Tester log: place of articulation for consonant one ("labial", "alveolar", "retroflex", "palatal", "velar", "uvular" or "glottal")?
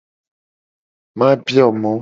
labial